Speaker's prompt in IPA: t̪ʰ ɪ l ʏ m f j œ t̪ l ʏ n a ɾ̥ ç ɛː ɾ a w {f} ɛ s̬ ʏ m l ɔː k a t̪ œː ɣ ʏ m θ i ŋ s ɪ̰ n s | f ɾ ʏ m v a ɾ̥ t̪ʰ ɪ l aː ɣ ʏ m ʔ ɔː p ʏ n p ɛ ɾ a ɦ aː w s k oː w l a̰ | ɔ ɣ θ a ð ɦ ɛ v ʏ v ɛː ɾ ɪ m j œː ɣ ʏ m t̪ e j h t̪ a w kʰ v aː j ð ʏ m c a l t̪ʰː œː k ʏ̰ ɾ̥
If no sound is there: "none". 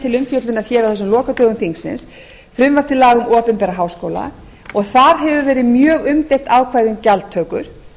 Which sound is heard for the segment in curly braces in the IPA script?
θ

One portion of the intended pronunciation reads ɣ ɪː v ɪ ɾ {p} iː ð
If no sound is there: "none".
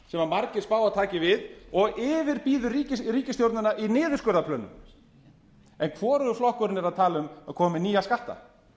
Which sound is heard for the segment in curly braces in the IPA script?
p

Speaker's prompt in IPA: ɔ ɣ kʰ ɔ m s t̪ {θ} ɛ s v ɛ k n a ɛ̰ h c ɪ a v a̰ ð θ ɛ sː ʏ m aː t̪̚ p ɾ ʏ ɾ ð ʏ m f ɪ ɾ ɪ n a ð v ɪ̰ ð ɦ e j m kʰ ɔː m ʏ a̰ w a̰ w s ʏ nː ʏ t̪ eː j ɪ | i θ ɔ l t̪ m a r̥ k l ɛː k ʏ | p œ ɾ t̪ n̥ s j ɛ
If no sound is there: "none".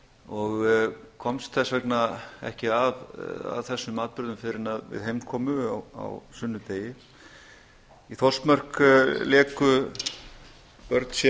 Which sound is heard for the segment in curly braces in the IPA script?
θ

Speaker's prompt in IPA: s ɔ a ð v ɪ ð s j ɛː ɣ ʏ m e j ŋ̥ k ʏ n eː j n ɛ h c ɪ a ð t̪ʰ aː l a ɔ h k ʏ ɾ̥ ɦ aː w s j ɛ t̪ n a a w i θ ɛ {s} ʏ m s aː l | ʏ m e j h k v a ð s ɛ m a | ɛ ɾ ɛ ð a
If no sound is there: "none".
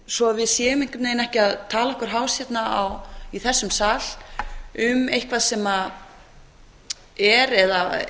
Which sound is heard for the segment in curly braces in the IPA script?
sː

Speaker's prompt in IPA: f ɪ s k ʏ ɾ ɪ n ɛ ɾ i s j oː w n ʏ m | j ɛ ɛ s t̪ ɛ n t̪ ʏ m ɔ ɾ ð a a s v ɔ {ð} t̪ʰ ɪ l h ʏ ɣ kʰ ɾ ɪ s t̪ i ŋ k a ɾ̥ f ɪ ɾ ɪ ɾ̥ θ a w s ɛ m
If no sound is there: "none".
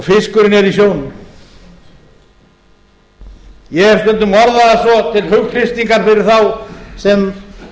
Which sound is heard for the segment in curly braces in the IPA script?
none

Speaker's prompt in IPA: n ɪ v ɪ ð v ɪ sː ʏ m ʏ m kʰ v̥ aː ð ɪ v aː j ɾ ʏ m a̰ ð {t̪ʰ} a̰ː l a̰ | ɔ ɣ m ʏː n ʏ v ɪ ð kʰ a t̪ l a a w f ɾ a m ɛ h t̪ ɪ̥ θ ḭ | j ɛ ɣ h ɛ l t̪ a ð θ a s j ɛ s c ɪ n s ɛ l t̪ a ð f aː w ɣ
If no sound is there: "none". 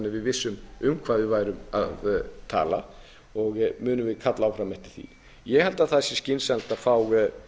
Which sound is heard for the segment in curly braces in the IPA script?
t̪ʰ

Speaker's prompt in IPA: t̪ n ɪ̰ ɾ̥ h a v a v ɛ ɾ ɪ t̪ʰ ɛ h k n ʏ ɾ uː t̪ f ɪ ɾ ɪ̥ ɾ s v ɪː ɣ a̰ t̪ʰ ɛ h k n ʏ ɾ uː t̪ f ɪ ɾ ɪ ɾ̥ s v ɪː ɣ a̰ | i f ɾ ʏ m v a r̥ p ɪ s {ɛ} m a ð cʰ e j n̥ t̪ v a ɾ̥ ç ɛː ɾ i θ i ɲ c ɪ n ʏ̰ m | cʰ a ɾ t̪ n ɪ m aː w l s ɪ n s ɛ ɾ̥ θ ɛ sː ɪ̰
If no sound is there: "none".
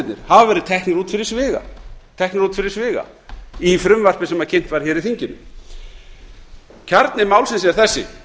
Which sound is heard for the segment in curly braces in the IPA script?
ɛ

